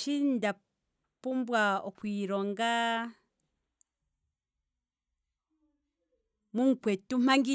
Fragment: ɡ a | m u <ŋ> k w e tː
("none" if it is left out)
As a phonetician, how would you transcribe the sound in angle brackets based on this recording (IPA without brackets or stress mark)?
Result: ŋ